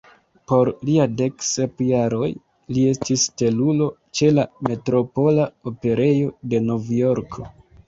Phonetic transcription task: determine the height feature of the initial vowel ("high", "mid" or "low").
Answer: mid